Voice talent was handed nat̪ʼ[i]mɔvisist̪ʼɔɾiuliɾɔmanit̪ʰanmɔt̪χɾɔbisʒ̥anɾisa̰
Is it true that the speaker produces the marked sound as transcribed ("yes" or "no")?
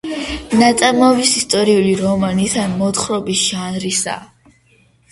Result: no